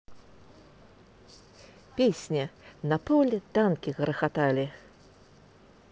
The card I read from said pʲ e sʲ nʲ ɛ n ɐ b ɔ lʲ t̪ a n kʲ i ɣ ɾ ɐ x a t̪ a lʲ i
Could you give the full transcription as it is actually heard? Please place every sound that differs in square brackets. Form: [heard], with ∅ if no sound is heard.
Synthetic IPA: pʲ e sʲ nʲ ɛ n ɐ [p] ɔ lʲ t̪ a n kʲ i ɣ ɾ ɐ x a t̪ a lʲ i